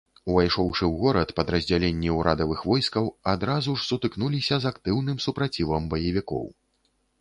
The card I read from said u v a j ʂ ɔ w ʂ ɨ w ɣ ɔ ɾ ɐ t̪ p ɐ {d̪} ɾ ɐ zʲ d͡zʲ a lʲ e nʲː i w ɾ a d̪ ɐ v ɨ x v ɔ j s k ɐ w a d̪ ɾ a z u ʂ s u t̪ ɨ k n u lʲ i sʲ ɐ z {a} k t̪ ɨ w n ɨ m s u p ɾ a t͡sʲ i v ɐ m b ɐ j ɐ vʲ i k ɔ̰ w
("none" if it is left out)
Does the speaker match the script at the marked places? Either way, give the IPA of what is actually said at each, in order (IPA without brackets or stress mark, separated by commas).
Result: d̪, a